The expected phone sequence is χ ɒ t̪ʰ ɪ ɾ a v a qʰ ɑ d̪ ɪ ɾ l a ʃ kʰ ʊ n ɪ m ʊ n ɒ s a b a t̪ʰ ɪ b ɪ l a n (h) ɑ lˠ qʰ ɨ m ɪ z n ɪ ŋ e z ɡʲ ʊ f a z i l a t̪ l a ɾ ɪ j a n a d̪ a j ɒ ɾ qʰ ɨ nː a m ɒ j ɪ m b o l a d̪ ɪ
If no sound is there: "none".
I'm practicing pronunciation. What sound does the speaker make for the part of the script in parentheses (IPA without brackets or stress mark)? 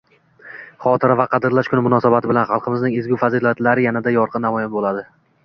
χ